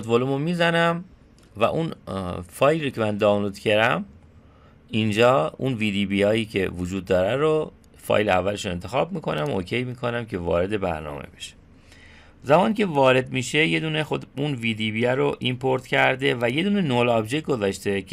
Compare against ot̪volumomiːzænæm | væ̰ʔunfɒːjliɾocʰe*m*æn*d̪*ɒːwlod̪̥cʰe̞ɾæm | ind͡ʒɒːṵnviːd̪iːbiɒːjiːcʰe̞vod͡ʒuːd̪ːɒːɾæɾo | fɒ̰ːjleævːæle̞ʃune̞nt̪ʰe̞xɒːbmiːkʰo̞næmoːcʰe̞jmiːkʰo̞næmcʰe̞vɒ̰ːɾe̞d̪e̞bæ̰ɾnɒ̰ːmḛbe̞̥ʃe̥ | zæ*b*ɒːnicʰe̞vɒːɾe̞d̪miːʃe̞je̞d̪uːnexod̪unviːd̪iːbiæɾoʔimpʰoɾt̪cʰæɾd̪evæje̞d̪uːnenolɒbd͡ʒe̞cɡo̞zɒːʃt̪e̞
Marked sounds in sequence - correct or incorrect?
correct, correct, incorrect

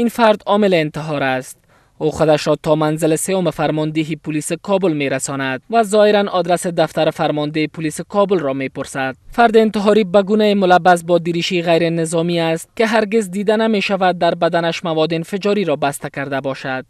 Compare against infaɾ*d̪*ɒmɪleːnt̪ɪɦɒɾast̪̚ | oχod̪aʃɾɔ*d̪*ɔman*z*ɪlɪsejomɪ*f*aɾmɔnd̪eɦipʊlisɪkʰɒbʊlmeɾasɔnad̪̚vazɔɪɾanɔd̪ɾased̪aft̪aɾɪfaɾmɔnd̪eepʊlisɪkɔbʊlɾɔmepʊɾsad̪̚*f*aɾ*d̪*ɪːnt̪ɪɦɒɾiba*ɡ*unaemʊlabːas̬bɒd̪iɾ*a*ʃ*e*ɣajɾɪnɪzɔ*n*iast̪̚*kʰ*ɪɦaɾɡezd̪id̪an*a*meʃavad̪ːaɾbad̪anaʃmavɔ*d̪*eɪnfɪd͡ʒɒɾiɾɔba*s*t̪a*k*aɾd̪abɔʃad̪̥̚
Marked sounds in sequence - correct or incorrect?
correct, incorrect, correct, correct, correct, correct, correct, incorrect, incorrect, incorrect, incorrect, correct, correct, correct, correct

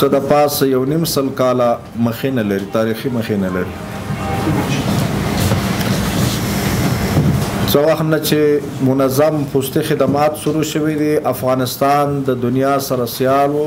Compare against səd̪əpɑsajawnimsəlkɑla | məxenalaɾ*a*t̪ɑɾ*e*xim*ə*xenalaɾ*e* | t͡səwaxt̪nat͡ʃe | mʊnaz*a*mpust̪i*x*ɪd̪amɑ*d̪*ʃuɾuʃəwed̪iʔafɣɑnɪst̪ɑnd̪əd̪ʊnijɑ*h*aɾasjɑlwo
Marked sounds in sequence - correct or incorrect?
incorrect, incorrect, correct, incorrect, correct, correct, incorrect, incorrect

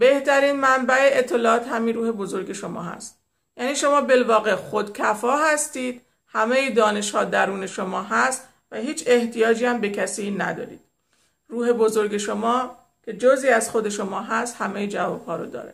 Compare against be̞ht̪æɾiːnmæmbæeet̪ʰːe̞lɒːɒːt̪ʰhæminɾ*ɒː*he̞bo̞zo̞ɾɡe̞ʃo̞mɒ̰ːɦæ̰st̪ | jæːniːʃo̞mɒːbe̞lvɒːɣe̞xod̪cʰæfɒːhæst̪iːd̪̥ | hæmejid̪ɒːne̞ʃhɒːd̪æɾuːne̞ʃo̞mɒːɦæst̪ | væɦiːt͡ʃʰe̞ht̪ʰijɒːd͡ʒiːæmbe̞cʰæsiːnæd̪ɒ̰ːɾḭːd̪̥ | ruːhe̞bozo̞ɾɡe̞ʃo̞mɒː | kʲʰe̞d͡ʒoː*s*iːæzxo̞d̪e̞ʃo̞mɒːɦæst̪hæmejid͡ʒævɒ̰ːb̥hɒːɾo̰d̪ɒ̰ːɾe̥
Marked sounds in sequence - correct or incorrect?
incorrect, incorrect

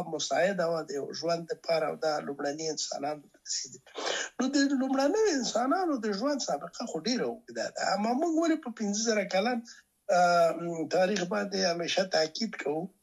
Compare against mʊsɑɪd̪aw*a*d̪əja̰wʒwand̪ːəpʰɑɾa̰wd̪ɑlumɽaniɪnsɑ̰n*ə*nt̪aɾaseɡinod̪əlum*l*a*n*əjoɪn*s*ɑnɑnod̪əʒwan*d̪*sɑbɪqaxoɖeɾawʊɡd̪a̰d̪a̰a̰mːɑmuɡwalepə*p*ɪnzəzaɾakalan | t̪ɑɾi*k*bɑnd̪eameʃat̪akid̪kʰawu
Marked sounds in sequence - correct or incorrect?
correct, incorrect, incorrect, correct, correct, correct, correct, incorrect

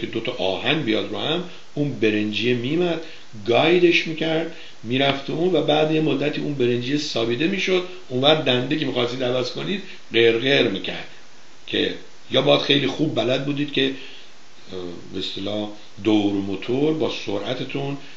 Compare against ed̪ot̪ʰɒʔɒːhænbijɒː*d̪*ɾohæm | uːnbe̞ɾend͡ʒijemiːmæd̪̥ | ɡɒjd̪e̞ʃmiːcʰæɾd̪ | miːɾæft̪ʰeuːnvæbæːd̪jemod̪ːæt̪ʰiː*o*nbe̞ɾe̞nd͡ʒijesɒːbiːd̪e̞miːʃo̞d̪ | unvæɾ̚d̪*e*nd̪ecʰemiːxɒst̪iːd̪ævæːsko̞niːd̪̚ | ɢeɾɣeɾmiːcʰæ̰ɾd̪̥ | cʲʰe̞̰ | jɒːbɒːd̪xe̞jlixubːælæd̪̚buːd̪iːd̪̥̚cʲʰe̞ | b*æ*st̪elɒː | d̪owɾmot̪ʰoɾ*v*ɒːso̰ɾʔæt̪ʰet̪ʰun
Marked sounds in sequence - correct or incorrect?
correct, incorrect, incorrect, incorrect, incorrect

